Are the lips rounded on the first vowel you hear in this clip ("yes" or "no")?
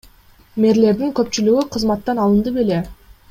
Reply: no